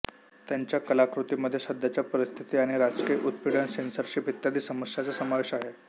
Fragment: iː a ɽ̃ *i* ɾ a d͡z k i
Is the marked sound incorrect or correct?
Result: correct